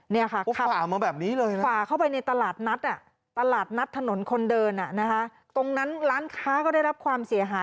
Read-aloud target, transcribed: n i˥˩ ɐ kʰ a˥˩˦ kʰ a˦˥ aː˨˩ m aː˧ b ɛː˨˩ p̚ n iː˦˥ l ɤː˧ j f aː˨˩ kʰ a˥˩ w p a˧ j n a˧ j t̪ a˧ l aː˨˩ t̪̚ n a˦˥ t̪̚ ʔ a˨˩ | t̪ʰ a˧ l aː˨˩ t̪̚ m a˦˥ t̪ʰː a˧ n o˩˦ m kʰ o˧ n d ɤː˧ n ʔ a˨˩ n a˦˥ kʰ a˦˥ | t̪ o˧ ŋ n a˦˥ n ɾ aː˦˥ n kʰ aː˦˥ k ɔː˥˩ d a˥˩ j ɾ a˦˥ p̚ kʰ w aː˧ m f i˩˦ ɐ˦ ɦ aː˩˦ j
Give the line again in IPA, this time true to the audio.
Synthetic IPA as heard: n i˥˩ ɐ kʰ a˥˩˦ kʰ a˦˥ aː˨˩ m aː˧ b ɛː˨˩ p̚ n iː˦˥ l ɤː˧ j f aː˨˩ kʰ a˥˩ w p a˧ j n a˧ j t̪ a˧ l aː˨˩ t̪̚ n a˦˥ t̪̚ ʔ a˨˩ | t̪ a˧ l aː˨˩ t̪̚ n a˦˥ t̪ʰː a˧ n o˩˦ n kʰ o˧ n d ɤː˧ n ʔ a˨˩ n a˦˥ kʰ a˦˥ | t̪ o˧ ŋ n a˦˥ n ɾ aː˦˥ n kʰ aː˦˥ k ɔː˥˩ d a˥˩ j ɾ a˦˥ p̚ kʰ w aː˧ m s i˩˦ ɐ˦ ɦ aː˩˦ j

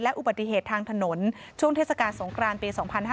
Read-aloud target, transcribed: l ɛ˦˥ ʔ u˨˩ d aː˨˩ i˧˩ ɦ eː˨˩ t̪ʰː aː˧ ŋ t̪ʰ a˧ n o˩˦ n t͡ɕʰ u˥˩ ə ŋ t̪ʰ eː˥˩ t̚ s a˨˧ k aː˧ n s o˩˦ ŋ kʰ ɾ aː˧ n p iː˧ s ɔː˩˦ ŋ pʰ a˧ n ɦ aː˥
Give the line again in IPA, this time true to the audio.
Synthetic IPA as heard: l ɛ˦˥ ʔ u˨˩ b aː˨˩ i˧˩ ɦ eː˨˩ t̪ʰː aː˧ ŋ t̪ʰ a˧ n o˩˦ n t͡ɕʰ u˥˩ ə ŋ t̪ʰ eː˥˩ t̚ s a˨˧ k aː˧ n s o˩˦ ŋ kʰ ɾ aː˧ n p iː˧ s ɔː˩˦ ŋ pʰ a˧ n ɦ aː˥

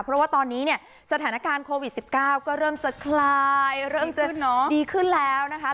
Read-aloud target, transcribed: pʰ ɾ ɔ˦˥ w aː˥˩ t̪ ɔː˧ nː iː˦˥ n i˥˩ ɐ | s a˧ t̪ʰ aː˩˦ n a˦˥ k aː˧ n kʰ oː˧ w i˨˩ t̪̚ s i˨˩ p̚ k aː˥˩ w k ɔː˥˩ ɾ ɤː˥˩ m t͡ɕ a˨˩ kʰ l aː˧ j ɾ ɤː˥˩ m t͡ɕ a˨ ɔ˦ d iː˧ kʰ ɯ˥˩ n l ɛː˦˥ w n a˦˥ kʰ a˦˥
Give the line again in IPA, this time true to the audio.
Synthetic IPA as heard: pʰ ɾ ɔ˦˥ w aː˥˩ t̪ ɔː˧ nː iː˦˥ n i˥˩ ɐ | s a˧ t̪ʰ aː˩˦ n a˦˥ k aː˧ n kʰ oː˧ w i˨˩ t̪̚ s i˨˩ p̚ k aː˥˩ w k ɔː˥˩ ɾ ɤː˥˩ m t͡ɕ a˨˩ kʰ l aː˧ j ɾ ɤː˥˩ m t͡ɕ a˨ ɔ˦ d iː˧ kʰ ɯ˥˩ n l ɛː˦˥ w n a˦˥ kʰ a˦˥

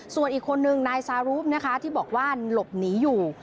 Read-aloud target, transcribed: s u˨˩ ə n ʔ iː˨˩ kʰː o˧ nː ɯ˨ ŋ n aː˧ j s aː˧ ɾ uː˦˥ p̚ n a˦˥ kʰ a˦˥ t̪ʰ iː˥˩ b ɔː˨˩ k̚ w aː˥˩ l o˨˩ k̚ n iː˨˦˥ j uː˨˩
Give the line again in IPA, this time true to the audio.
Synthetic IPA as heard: s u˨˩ ə n ʔ iː˨˩ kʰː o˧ nː ɯ˨ ŋ n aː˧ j s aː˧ ɾ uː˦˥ p̚ n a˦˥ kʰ a˦˥ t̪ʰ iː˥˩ b ɔː˨˩ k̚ w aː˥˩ l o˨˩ p̚ n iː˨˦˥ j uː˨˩

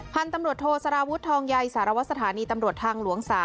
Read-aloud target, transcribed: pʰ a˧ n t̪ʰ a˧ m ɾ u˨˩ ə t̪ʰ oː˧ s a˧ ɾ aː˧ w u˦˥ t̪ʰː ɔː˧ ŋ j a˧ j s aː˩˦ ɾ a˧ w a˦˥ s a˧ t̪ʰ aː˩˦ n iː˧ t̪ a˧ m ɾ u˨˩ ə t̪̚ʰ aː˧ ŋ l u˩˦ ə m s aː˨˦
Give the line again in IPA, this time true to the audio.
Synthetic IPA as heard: pʰ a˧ n t̪ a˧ m ɾ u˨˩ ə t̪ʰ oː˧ s a˧ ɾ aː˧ w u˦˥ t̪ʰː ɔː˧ ŋ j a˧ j s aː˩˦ ɾ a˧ w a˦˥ s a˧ t̪ʰ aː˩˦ n iː˧ t̪ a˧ m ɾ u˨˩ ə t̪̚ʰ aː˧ ŋ l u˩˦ ə ŋ s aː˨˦

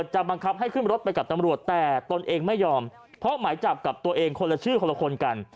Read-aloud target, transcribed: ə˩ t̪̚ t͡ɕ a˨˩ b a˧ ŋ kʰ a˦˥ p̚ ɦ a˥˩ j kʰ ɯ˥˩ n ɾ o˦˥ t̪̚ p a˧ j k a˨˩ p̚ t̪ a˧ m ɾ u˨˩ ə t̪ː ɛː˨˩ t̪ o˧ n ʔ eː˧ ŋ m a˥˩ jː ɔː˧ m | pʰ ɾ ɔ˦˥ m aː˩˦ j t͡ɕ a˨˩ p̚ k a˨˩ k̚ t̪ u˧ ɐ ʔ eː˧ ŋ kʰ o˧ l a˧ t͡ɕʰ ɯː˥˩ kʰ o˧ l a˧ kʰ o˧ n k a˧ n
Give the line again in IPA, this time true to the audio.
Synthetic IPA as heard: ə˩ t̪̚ t͡ɕ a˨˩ b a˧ ŋ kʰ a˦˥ p̚ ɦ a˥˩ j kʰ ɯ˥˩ n ɾ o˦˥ t̪̚ p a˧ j k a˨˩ p̚ t̪ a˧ m ɾ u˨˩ ə t̪ː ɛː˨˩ t̪ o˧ n ʔ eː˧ ŋ m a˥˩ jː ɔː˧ m | pʰ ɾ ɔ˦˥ m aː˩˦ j t͡ɕ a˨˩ p̚ k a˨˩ p̚ t̪ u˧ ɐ ʔ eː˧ ŋ kʰ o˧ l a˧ t͡ɕʰ ɯː˥˩ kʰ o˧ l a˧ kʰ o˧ n k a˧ n

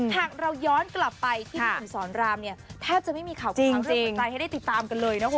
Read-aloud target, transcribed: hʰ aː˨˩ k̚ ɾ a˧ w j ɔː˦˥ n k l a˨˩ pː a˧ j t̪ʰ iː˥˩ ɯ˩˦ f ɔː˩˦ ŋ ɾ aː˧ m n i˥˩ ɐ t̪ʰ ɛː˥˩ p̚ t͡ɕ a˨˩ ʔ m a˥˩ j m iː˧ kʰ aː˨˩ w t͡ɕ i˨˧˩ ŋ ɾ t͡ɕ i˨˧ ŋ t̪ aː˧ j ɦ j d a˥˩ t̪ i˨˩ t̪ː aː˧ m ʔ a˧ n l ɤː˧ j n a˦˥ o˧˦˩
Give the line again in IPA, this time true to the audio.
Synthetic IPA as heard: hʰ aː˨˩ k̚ ɾ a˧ w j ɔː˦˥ n k l a˨˩ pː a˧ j t̪ʰ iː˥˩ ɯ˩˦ s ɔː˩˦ n ɾ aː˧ m n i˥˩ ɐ t̪ʰ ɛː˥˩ p̚ t͡ɕ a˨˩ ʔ m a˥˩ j m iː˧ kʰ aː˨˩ w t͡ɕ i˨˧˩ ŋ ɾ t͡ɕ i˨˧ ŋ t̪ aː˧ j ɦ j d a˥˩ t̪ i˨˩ t̪ː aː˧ m k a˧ n l ɤː˧ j n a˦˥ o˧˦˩

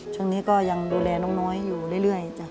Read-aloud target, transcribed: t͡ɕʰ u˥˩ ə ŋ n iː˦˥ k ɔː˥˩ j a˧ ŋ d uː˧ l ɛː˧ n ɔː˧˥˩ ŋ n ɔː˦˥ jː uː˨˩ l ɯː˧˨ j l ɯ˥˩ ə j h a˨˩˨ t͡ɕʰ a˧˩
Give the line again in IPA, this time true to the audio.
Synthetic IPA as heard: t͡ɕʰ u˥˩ ə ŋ n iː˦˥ k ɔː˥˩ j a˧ ŋ d uː˧ l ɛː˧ n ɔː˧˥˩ ŋ n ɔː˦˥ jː uː˨˩ l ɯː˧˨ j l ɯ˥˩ ə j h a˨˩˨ t͡ɕ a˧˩

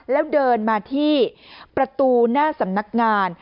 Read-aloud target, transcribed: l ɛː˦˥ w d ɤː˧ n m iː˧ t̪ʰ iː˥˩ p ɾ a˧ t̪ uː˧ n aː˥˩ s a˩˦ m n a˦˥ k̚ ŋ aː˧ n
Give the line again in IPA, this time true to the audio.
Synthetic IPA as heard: l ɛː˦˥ w d ɤː˧ n m aː˧ t̪ʰ iː˥˩ p ɾ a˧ t̪ uː˧ n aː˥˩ s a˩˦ m n a˦˥ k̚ ŋ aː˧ n

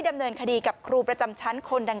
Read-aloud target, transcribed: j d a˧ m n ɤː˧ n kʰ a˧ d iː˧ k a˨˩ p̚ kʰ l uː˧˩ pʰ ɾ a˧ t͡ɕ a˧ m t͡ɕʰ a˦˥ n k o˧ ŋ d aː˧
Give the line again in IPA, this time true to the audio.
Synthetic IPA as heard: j d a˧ m n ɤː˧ n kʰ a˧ d iː˧ k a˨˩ p̚ kʰ ɾ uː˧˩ p ɾ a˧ t͡ɕ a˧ m t͡ɕʰ a˦˥ n kʰ o˧ n d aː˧

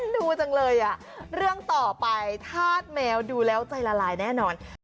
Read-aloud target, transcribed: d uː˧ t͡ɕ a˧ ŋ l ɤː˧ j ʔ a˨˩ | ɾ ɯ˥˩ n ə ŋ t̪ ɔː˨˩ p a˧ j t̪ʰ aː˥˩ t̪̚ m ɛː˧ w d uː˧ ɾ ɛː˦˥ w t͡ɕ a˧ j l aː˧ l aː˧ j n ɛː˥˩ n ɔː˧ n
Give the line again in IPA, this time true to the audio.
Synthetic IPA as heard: d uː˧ t͡ɕ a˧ ŋ l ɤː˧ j ʔ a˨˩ | ɾ ɯ˥˩ ə ŋ t̪ ɔː˨˩ p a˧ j t̪ʰ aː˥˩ t̪̚ m ɛː˧ w d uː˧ l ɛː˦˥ w t͡ɕ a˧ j l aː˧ l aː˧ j n ɛː˥˩ n ɔː˧ n

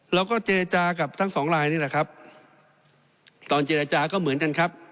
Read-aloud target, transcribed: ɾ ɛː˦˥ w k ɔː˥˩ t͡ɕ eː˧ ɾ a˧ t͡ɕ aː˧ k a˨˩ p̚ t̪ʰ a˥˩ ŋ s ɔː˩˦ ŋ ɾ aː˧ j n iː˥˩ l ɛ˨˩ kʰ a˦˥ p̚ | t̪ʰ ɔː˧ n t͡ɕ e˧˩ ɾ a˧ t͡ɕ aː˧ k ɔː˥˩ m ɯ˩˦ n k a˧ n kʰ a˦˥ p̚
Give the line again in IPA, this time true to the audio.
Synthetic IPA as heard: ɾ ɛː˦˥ w k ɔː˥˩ t͡ɕ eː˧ ɾ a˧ t͡ɕ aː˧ k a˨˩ p̚ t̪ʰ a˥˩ ŋ s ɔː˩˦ ŋ ɾ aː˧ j n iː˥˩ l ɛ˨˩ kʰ a˦˥ p̚ | t̪ ɔː˧ n t͡ɕ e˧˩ ɾ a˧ t͡ɕ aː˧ k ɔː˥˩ m ɯ˩˦ n k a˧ n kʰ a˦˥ p̚

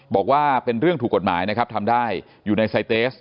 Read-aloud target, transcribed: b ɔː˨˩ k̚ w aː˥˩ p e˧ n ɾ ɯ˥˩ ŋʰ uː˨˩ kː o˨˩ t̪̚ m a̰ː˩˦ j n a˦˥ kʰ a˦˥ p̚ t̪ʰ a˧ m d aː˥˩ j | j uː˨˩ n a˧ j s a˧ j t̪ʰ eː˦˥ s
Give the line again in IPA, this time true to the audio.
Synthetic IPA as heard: b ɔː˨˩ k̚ w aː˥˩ p e˧ n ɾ ɯ˥˩ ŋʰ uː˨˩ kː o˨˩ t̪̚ m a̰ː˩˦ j n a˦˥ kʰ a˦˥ p̚ t̪ʰ a˧ m d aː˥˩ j | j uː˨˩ n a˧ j s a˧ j t̪ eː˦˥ s

